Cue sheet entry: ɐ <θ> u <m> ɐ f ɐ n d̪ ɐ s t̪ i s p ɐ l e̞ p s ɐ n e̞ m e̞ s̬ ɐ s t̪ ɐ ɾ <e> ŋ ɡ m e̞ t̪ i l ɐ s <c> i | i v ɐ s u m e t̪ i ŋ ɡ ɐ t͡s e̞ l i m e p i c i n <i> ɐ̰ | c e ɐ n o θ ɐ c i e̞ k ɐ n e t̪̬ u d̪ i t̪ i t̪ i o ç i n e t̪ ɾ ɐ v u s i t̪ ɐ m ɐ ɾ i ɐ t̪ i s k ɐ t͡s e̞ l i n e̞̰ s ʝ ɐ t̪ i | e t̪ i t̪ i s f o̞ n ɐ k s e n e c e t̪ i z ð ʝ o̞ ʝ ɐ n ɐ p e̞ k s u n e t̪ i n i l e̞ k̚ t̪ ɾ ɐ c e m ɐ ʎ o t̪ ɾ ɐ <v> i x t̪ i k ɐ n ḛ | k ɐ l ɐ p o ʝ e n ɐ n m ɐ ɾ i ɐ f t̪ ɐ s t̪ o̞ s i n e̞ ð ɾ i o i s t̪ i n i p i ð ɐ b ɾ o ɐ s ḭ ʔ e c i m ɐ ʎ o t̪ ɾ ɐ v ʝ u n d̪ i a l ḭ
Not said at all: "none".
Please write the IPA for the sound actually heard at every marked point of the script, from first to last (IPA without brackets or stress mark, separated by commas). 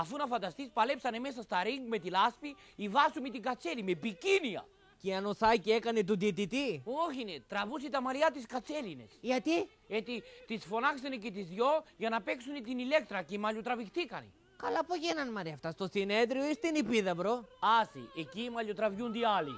f, n, i, p, i, v